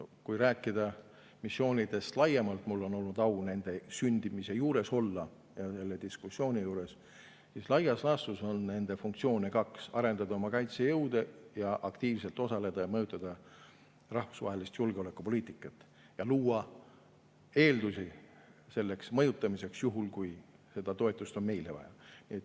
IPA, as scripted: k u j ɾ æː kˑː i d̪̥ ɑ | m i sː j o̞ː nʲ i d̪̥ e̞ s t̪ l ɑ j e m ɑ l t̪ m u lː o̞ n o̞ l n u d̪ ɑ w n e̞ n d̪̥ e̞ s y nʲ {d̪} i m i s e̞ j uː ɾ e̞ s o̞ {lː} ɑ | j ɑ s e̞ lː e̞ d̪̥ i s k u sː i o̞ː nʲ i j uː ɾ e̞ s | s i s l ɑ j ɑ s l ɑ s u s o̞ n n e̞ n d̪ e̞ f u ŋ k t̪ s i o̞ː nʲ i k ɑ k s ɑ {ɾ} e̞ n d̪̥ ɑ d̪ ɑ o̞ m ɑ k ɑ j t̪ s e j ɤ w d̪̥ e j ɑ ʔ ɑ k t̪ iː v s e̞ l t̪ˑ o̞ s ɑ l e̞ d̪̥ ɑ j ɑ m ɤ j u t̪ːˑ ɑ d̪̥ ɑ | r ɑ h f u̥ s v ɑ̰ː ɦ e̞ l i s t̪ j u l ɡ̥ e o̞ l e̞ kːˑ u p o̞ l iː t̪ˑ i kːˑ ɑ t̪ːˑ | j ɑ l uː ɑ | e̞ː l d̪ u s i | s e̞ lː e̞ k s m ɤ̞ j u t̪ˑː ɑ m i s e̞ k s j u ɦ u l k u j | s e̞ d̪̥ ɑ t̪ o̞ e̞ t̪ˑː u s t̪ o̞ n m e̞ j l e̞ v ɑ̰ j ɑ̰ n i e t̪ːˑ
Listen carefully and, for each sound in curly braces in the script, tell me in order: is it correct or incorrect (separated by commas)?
correct, correct, correct